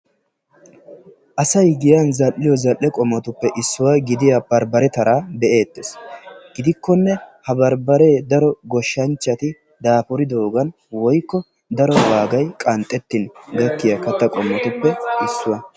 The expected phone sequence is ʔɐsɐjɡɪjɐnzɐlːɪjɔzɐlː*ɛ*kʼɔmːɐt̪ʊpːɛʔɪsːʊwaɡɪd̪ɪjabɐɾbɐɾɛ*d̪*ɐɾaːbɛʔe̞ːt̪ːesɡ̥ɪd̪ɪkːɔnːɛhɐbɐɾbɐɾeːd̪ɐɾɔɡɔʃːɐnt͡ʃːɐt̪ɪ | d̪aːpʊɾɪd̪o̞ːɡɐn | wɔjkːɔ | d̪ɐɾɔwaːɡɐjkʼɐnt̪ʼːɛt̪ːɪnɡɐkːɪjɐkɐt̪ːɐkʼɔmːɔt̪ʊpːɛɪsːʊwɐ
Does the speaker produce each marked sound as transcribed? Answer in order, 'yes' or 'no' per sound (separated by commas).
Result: yes, no